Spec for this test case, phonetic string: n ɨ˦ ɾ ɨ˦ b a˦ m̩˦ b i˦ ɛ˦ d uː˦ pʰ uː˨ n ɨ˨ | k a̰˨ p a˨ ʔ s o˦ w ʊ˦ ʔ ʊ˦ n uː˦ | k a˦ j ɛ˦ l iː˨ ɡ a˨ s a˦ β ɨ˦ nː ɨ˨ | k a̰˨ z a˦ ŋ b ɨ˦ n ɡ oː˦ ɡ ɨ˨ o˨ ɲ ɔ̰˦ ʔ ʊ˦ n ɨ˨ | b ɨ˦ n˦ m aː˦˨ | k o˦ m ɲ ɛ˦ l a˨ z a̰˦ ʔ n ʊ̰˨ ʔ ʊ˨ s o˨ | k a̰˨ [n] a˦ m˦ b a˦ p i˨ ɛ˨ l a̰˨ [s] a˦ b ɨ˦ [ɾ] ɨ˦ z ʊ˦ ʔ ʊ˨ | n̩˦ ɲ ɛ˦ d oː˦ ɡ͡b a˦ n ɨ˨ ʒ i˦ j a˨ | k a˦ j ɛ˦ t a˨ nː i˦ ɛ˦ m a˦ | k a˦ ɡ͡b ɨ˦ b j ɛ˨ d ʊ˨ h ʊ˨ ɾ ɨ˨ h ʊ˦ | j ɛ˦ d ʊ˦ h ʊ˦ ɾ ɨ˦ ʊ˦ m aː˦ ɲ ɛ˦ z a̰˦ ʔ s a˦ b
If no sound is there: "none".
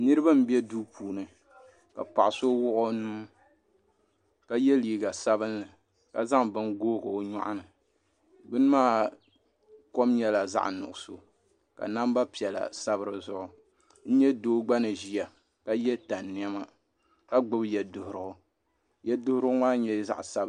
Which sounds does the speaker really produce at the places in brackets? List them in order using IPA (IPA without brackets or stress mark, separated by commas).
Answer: n, s, ɾ